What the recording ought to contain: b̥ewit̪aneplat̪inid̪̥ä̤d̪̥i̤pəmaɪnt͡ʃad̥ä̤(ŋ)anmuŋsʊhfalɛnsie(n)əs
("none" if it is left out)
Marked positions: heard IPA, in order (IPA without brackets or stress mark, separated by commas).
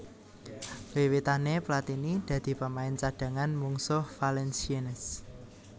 ŋ, n